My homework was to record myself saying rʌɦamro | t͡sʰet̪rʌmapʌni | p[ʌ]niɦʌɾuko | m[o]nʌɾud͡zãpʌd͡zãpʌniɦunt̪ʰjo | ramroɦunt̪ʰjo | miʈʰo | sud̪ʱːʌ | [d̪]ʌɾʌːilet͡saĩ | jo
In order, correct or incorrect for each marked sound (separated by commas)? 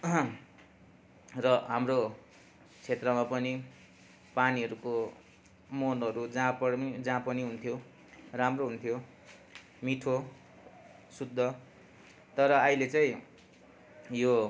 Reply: incorrect, correct, incorrect